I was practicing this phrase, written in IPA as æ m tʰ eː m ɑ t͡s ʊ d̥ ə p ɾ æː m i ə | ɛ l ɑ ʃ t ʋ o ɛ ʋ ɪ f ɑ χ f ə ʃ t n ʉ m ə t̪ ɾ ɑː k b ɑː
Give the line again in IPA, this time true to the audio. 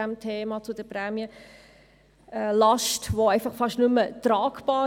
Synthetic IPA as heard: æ m tʰ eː m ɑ t͡s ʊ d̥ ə p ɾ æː m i ə | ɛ l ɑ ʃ t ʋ o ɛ ɪ f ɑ χ f ɑ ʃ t n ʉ m ə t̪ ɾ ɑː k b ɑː